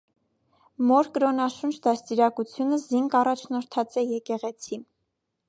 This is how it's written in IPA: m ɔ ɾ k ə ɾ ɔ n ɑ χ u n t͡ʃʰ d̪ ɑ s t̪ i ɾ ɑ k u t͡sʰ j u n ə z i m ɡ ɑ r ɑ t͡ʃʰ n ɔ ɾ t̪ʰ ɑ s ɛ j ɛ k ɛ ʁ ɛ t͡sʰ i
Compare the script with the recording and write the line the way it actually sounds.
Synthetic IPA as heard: m ɔ ɾ k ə ɾ ɔ n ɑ ʃ u n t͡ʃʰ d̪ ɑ s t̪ i ɾ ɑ k u t͡sʰ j u n ə z i ŋ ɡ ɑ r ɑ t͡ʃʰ n ɔ ɾ t̪ʰ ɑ t͡s ɛ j ɛ k ɛ ʁ ɛ t͡sʰ i

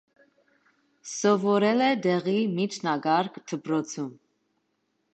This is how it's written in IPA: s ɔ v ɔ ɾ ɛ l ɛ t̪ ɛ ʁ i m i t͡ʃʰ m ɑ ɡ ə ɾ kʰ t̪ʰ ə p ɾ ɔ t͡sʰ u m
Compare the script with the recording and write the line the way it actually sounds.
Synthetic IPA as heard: s ɔ v ɔ ɾ ɛ l ɛ d̪ ɛ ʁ i m i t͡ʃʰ n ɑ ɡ ɑ ɾ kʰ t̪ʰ ə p ɾ ɔ t͡sʰ u m

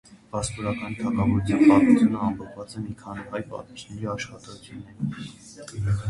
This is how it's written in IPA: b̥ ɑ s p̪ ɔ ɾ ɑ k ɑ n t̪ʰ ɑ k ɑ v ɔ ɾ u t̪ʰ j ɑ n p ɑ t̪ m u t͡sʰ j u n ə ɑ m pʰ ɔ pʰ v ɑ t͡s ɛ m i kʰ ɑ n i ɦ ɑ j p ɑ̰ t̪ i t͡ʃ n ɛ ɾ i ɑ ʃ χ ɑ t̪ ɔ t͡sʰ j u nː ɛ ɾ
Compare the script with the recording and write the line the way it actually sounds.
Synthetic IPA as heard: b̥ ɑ s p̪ ɔ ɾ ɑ k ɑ n t̪ʰ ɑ k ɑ v ɔ ɾ u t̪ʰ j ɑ n p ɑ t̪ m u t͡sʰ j u n ə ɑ m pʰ ɔ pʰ v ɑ t͡s ɛ m i kʰ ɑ n i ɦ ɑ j p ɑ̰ t̪ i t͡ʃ n ɛ ɾ i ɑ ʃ χ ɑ t̪ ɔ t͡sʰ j u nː ɛ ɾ

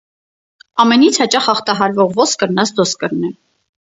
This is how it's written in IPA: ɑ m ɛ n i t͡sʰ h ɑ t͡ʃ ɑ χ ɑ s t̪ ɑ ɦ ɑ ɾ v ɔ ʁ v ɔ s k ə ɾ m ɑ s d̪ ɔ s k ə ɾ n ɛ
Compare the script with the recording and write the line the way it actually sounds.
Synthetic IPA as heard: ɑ m ɛ n i t͡sʰ h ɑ t͡ʃ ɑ χ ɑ χ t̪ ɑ ɦ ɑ ɾ v ɔ ʁ v ɔ s k ə ɾ n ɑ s d̪ ɔ s k ə ɾ n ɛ

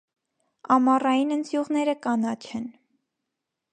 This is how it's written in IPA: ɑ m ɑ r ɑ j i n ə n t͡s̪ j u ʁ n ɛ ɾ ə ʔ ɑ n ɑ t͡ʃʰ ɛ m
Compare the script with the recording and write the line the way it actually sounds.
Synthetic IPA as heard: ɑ m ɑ r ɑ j i n ə n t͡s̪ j u ʁ n ɛ ɾ ə k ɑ n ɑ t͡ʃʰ ɛ n

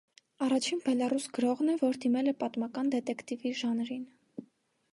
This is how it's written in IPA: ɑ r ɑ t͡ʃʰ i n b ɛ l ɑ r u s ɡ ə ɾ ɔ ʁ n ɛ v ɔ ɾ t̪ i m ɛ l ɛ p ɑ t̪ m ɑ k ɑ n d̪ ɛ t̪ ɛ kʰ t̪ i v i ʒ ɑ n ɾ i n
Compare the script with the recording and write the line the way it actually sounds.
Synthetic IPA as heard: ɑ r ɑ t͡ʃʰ i n b ɛ l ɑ r u s ɡ ə ɾ ɔ ʁ n ɛ v ɔ ɾ d̪ i m ɛ l ɛ p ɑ t̪ m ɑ k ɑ n d̪ ɛ t̪ ɛ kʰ t̪ i v i ʒ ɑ n ɾ i n

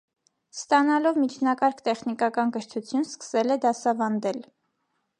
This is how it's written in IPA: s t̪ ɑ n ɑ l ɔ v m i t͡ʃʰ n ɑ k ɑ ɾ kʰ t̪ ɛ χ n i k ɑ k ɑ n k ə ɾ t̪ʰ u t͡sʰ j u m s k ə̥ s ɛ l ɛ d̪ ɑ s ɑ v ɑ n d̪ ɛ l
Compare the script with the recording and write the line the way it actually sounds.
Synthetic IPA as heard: s t̪ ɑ n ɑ l ɔ v m i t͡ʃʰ n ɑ k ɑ ɾ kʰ t̪ ɛ χ n i k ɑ k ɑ n k ə ɾ t̪ʰ u t͡sʰ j u n s k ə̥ s ɛ l ɛ d̪ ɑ s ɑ v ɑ n d̪ ɛ l

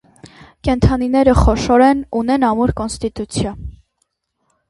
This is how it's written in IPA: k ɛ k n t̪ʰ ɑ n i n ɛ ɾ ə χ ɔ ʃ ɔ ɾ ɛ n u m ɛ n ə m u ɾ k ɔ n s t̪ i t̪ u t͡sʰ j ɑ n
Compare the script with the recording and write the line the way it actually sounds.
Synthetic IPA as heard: k ɛ n t̪ʰ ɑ n i n ɛ ɾ ə χ ɔ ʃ ɔ ɾ ɛ n u n ɛ n ɑ m u ɾ k ɔ n s t̪ i t̪ u t͡sʰ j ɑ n

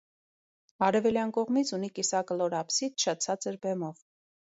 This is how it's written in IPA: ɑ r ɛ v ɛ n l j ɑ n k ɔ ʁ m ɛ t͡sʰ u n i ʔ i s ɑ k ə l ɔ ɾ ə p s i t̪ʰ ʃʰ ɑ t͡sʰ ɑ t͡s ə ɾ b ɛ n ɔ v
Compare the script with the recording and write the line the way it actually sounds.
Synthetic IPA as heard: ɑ ɾ ɛ v ɛ l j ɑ n k ɔ ʁ m i t͡sʰ u n i k i s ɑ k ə l ɔ ɾ ɑ p s i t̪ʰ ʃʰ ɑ t͡sʰ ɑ t͡s ə ɾ b ɛ m ɔ v

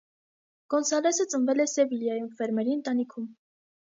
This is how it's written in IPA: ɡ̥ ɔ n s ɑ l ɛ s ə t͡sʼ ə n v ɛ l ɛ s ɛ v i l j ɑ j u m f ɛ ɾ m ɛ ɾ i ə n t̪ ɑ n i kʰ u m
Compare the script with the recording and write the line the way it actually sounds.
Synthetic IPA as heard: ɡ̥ ɔ n s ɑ l ɛ s ə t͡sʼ ə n v ɛ l ɛ s ɛ v i l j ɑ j u m f ɛ ɾ m ɛ ɾ i ə n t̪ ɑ n i kʰ u m

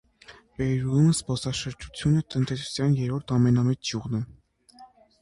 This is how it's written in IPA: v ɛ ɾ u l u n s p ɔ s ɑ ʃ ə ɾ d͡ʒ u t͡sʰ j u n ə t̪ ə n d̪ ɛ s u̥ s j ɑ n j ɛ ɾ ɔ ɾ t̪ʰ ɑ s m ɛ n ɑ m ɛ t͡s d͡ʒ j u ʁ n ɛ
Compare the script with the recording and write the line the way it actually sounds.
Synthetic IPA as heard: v ɛ ɾ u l u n s p ɔ s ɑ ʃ ə ɾ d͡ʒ u t͡sʰ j u n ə t̪ ə n t̪ ɛ s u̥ s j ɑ n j ɛ ɾ ɔ ɾ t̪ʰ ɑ m ɛ n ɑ m ɛ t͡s d͡ʒ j u ʁ n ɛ

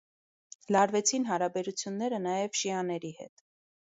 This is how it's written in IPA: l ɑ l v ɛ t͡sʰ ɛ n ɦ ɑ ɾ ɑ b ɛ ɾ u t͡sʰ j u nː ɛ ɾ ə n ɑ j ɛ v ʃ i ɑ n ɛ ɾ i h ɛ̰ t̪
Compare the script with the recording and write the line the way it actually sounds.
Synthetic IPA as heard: l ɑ ɾ v ɛ t͡sʰ i n ɦ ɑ ɾ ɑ b ɛ ɾ u t͡sʰ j u nː ɛ ɾ ə n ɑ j ɛ v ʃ i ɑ n ɛ ɾ i h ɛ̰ t̪

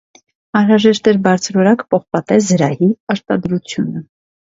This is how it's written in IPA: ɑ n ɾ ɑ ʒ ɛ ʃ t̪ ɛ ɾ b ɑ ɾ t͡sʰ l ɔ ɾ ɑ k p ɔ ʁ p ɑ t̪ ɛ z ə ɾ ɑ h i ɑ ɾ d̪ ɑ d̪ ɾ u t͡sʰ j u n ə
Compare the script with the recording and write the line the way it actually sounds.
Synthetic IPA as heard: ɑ n ɾ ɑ ʒ ɛ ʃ t̪ ɛ ɾ b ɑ ɾ t͡sʰ ɾ ɔ ɾ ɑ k p ɔ χ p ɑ t̪ ɛ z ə ɾ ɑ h i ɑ ɾ t̪ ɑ d̪ ɾ u t͡sʰ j u n ə

